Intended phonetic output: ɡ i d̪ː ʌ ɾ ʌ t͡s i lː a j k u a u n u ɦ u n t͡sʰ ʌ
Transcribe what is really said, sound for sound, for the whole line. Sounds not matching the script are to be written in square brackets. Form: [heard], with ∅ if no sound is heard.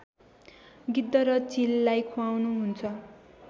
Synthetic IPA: ɡ i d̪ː ʌ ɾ ʌ t͡s i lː a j [kʰ] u a [w] n u ɦ u n t͡sʰ ʌ